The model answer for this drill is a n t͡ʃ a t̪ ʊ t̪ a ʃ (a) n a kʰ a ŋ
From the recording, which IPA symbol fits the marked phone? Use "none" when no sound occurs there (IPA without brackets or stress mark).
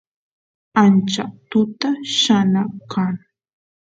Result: a